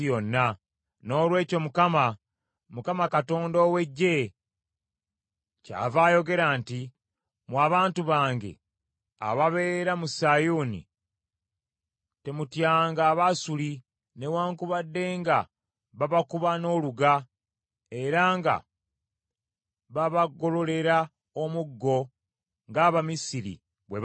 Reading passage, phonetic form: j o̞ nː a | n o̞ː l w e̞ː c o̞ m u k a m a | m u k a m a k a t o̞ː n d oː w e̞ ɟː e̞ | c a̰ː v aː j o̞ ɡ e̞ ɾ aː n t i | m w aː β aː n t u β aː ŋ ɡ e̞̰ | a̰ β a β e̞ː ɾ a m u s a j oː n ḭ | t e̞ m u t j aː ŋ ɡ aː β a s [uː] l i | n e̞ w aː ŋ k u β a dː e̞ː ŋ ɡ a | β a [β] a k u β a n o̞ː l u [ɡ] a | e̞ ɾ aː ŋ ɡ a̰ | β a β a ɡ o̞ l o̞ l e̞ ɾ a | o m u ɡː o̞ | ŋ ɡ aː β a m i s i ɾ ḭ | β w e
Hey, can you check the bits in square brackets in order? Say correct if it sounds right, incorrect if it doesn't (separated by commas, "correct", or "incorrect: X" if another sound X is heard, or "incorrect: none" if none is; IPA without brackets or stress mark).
incorrect: u, correct, correct